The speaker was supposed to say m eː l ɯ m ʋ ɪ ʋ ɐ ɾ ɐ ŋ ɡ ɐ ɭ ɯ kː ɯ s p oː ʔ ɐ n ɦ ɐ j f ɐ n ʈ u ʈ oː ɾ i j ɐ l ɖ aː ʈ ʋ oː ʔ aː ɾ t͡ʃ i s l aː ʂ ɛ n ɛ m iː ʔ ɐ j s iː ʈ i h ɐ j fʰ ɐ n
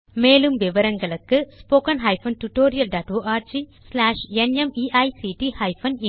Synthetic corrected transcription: m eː l ɯ m ʋ ɪ ʋ ɐ ɾ ɐ ŋ ɡ ɐ ɭ ɯ kː ɯ s p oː k ɐ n ɦ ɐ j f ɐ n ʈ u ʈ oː ɾ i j ɐ l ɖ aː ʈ ʋ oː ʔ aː ɾ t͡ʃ i s l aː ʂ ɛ n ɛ m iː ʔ ɐ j s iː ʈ i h ɐ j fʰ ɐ n